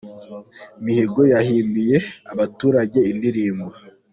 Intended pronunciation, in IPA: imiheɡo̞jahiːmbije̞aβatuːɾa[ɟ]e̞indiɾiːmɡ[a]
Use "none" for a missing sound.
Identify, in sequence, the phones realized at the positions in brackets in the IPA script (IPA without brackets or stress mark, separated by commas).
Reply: ɟ, a